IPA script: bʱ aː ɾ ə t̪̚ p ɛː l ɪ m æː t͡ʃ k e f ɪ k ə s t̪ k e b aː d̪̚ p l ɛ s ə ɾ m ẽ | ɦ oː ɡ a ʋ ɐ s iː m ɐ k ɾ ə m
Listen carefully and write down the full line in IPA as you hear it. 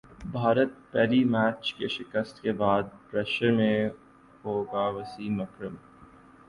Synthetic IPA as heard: bʱ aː ɾ ə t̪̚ p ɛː l i m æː t͡ʃ k e ʃ ɪ k ə s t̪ k e b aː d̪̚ p ɾ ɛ ʃ ə ɾ m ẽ | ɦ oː ɡ a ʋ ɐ s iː m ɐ k ɾ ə m